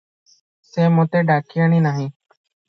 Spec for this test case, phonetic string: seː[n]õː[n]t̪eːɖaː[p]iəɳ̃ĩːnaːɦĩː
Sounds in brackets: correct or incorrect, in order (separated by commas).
incorrect, incorrect, incorrect